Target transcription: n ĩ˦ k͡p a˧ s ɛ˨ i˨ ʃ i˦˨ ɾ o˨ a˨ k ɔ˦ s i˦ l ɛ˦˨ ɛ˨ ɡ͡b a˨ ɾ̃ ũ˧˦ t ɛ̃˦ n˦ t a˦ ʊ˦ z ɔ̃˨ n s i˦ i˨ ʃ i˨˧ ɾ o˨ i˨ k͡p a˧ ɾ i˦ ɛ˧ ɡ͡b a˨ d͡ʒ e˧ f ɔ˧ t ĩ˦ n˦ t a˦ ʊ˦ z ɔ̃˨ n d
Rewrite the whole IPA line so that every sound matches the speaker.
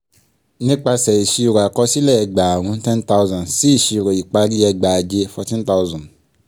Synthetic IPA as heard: n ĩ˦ k͡p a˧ s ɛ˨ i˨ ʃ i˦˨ ɾ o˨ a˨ k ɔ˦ s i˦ l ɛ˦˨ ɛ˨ ɡ͡b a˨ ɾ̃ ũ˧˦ t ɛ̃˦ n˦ t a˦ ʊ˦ z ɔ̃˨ n s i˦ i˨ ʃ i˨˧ ɾ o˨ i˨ k͡p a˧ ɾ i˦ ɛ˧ ɡ͡b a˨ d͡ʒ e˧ f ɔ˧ t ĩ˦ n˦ t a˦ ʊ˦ z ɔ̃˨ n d